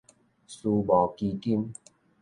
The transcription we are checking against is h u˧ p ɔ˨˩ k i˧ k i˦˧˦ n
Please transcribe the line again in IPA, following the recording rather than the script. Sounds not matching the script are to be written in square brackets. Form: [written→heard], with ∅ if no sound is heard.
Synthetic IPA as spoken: [h→s] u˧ [p→b] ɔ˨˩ k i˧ k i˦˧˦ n